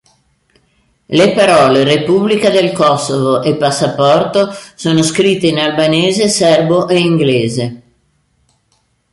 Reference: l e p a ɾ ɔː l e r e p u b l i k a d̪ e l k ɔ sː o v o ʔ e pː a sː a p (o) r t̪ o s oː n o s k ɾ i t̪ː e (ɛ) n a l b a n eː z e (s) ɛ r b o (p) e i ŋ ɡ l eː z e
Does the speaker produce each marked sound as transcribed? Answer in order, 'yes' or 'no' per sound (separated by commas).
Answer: no, no, yes, no